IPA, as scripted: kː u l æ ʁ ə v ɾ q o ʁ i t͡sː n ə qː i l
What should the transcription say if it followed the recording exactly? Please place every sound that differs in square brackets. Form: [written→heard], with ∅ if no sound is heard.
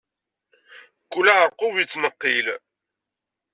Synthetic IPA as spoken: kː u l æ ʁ ə [v→∅] ɾ q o [ʁ→v] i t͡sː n ə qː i l